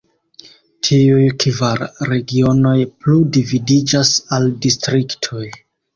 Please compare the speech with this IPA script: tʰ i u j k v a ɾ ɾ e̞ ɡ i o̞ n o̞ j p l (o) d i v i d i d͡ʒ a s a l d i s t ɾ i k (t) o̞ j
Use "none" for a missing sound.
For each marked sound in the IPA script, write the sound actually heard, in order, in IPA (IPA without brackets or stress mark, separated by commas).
u, tʰ